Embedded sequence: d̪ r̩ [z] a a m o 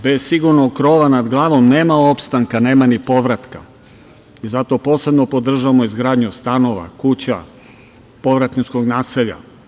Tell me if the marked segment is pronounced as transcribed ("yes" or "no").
no